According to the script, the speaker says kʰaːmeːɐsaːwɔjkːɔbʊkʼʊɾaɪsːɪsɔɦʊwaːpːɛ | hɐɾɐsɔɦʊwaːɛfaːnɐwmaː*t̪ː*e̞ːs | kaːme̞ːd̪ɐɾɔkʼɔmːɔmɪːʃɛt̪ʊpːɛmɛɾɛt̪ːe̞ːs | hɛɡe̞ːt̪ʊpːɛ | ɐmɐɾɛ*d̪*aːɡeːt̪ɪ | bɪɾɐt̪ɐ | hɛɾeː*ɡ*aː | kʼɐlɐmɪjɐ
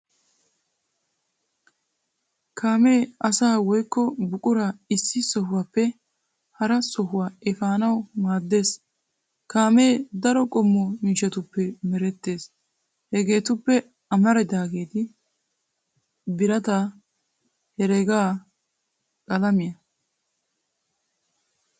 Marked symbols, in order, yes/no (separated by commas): no, yes, yes